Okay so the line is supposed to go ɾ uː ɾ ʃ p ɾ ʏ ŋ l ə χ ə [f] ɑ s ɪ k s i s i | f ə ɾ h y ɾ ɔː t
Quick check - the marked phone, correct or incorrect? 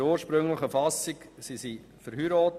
correct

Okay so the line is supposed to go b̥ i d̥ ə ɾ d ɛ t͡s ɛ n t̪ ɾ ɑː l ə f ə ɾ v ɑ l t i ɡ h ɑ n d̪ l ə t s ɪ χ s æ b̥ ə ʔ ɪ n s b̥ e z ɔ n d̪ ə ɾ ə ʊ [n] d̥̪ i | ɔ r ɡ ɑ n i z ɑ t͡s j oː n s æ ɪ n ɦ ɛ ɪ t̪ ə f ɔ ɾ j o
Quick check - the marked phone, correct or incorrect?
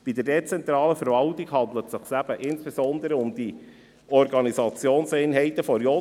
incorrect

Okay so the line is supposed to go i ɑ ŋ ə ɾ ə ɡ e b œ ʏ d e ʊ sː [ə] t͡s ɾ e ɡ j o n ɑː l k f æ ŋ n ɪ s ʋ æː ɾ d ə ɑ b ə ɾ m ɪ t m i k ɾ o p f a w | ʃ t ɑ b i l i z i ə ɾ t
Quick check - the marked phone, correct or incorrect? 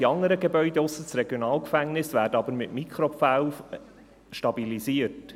correct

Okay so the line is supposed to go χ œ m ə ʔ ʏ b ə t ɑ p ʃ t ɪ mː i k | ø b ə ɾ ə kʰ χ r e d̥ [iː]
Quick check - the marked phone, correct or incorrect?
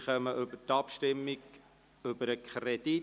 incorrect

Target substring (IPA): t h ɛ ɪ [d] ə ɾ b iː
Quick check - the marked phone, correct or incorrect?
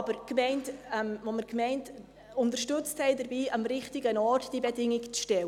correct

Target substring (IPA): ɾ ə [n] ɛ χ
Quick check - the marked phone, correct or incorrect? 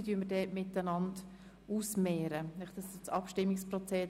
correct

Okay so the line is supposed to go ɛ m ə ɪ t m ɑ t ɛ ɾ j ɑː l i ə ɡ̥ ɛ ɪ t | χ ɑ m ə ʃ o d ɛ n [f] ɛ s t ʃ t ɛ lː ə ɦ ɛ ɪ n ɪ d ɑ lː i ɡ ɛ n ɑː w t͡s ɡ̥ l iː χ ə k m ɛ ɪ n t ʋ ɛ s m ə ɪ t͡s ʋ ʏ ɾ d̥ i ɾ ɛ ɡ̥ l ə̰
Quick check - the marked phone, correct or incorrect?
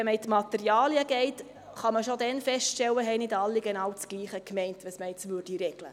correct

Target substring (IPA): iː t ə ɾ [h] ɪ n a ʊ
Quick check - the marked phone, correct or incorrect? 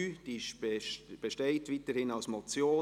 correct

